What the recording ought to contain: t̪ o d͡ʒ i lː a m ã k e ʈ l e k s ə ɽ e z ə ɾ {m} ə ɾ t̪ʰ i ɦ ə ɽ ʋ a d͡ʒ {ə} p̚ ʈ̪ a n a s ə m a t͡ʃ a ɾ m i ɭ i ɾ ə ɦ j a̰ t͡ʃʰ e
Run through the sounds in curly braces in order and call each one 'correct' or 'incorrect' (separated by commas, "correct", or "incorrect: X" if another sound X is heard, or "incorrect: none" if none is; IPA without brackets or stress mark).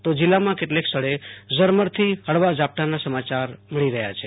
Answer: correct, incorrect: a